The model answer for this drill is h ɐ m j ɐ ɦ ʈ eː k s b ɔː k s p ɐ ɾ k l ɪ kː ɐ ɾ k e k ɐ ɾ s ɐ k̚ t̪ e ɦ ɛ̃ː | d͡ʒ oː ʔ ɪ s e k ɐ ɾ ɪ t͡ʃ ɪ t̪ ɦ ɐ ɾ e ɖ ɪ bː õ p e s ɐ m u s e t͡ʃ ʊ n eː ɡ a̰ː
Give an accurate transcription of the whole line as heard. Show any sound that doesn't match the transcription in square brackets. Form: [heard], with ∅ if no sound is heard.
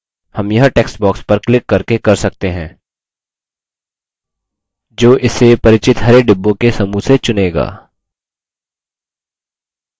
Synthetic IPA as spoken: h ɐ m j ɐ ɦ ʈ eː k s b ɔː k s p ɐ ɾ k l ɪ kː ɐ ɾ k e k ɐ ɾ s ɐ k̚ t̪ e ɦ ɛ̃ː | d͡ʒ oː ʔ ɪ s e [p] ɐ ɾ ɪ t͡ʃ ɪ t̪ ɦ ɐ ɾ e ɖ ɪ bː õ [k] e s ɐ m u s e t͡ʃ ʊ n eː ɡ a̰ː